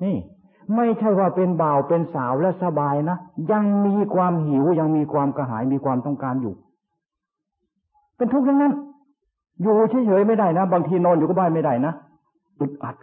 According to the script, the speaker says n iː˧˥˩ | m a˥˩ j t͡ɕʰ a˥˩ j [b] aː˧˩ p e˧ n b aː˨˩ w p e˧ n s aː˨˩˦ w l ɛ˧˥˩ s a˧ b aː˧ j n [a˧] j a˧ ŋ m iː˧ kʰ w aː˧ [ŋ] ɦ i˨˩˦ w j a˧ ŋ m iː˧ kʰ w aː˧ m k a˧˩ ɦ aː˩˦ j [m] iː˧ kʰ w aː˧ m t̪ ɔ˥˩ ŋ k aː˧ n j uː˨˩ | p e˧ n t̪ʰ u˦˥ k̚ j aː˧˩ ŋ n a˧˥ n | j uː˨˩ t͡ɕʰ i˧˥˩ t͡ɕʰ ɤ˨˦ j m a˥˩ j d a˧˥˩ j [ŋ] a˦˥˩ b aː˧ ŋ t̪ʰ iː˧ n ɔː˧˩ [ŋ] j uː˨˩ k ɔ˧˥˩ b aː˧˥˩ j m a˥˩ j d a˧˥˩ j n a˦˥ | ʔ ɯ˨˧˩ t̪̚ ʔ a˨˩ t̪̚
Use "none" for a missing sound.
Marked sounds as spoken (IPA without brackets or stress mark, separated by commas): w, a˦˥, m, m, n, n